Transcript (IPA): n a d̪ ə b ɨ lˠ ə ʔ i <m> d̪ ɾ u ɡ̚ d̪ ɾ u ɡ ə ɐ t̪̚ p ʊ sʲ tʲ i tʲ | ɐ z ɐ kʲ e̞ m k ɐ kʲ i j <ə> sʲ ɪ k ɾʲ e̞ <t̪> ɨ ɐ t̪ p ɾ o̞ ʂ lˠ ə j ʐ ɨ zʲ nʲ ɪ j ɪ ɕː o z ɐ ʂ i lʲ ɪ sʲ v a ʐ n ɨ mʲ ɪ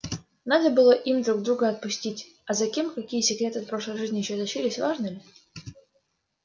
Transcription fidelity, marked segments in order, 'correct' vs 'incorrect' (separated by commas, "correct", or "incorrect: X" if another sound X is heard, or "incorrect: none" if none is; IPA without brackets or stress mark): correct, correct, correct